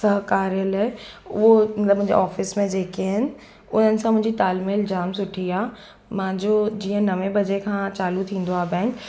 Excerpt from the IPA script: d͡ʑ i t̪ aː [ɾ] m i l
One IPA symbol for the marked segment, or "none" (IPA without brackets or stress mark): l